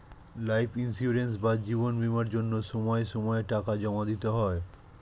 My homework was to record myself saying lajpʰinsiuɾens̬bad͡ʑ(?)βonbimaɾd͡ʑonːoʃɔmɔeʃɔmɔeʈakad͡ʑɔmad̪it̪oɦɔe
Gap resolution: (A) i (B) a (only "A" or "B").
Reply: A